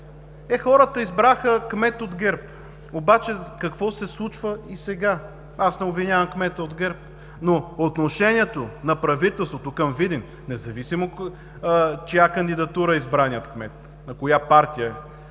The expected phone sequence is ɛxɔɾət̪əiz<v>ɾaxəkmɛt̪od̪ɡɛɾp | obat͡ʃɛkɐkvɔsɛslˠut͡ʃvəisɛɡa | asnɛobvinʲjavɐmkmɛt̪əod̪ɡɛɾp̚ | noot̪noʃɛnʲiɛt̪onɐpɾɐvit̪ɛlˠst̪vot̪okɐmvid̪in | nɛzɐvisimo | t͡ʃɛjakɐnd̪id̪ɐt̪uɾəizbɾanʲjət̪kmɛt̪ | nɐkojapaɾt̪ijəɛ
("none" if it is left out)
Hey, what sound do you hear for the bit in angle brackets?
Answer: b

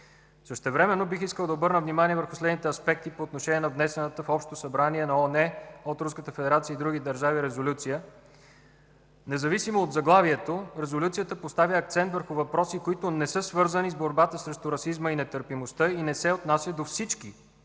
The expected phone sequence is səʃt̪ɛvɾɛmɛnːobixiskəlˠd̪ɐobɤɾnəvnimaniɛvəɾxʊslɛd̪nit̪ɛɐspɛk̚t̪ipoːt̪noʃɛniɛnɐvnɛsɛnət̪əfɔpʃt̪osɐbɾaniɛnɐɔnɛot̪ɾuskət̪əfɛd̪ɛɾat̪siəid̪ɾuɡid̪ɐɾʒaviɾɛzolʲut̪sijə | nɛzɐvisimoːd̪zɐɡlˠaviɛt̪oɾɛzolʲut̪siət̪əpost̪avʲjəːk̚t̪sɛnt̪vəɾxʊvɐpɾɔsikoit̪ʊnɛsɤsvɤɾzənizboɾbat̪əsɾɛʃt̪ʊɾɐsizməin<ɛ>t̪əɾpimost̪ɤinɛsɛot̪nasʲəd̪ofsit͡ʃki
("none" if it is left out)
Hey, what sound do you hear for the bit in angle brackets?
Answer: ɛ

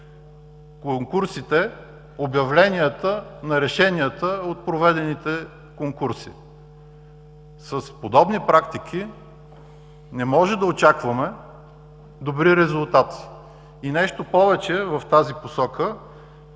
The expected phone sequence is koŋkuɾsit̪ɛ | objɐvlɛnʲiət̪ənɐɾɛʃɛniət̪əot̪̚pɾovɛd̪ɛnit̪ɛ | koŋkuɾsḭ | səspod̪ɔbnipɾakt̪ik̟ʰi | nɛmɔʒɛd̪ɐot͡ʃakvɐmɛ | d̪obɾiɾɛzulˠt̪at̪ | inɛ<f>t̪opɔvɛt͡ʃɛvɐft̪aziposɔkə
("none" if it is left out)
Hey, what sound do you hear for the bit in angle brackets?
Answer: ʃ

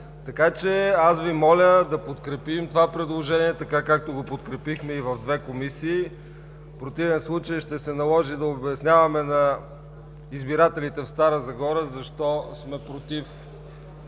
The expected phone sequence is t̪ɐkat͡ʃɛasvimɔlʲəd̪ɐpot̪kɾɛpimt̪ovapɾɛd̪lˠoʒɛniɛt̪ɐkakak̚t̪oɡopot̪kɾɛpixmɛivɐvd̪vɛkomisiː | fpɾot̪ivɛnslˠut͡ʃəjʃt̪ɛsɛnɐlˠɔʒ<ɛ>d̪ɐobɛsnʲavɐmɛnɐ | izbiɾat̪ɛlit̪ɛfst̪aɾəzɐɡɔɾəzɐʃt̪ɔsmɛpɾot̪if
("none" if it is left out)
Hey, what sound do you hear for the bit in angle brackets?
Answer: i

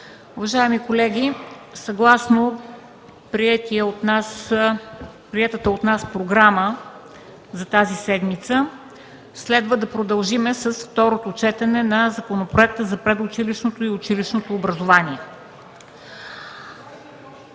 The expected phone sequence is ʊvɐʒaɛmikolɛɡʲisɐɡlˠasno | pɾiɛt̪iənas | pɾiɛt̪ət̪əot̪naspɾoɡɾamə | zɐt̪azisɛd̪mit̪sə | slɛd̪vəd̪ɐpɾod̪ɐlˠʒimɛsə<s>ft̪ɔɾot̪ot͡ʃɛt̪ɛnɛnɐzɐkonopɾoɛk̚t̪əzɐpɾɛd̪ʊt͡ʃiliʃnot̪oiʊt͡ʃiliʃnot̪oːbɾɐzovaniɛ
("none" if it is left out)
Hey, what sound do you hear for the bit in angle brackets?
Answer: s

